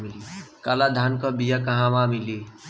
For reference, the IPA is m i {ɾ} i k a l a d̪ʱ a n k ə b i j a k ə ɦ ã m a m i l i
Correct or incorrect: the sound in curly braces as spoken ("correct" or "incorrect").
incorrect